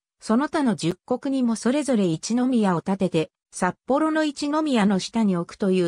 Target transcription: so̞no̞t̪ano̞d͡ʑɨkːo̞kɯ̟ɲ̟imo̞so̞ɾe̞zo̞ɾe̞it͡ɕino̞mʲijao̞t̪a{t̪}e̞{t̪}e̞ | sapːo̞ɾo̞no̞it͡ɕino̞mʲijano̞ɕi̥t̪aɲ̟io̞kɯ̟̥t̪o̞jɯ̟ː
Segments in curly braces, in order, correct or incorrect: correct, correct

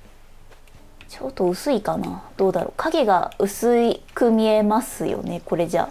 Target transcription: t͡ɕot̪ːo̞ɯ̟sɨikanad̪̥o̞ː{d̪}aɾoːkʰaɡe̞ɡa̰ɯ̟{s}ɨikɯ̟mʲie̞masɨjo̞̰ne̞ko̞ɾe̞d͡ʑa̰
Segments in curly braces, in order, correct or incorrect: correct, correct

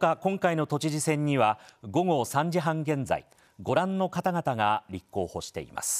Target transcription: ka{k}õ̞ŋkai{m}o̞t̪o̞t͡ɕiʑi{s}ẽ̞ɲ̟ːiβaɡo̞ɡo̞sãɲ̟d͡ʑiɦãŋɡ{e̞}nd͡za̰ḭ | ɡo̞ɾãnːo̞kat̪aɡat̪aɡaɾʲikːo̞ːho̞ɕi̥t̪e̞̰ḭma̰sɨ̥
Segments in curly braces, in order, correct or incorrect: correct, incorrect: n, correct, incorrect: ẽ̞

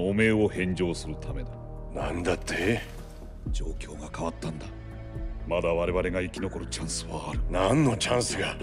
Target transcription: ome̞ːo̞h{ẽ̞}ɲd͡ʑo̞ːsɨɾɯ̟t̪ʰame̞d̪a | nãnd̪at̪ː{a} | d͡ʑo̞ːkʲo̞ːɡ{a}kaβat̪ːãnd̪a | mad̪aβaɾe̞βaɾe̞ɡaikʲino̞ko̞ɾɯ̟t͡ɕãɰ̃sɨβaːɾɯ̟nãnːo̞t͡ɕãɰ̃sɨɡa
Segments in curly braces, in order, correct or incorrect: correct, incorrect: e, correct

